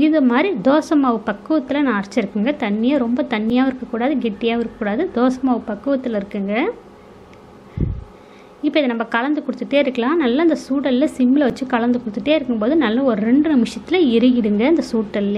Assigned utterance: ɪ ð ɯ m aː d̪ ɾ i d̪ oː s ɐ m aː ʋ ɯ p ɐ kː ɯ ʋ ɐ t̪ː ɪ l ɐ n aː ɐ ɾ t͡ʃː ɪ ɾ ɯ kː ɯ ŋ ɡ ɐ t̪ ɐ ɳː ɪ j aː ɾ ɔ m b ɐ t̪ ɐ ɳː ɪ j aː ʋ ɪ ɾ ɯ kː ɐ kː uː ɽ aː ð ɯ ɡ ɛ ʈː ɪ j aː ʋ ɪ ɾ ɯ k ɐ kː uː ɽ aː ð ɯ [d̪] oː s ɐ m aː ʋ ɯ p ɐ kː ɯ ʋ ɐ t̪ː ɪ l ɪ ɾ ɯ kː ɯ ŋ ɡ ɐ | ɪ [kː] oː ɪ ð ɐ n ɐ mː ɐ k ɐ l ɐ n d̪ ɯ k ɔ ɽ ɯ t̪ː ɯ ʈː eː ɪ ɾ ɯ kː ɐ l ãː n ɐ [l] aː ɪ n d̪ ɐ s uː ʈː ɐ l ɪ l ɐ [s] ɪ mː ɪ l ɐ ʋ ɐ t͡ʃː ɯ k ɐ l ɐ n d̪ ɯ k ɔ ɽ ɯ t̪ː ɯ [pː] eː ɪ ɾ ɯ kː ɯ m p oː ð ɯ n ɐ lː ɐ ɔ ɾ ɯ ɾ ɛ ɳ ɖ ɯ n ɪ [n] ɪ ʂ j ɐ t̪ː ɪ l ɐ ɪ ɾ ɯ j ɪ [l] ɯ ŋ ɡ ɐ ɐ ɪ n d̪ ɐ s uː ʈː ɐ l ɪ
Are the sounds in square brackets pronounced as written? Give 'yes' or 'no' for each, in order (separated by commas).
yes, no, no, yes, no, no, no